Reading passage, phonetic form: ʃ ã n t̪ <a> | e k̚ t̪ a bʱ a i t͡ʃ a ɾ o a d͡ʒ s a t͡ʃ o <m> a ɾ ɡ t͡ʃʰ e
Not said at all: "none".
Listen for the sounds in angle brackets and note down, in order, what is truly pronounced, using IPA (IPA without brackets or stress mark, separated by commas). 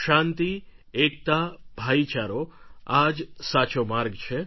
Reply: i, m